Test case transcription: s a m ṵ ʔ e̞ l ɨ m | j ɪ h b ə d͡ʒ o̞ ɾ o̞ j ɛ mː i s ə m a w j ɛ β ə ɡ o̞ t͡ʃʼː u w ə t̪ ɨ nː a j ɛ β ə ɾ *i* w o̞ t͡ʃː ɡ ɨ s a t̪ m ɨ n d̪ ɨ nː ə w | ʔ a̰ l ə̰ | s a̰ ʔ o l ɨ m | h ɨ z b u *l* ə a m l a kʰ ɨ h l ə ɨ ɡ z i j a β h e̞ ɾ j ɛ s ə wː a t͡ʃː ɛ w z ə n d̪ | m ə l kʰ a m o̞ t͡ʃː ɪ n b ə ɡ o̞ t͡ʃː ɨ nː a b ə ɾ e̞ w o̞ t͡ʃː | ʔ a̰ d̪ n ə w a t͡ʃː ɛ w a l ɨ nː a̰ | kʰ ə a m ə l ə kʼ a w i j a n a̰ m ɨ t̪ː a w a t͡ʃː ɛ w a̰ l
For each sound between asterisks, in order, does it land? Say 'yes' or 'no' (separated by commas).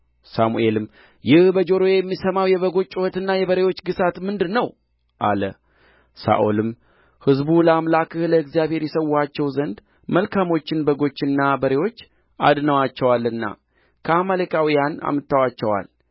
no, yes